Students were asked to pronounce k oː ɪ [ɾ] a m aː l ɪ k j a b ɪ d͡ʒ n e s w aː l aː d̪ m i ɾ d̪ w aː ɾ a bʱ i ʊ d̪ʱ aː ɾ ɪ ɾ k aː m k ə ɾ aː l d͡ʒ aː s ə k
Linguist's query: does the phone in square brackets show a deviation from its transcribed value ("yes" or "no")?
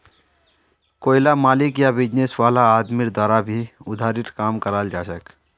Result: yes